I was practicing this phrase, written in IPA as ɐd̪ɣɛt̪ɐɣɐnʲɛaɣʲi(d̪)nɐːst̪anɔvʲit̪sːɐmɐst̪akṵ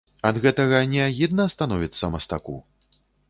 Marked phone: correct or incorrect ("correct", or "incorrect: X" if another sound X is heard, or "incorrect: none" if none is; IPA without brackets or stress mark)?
correct